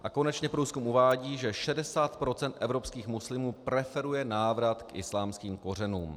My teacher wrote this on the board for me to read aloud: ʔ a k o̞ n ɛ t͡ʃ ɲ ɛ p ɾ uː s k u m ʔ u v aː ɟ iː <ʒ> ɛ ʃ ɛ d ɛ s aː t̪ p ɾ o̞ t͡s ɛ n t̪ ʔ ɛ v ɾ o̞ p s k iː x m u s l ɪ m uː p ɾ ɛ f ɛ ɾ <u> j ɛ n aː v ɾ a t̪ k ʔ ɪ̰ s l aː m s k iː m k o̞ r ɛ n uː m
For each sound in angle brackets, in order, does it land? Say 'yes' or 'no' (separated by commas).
yes, yes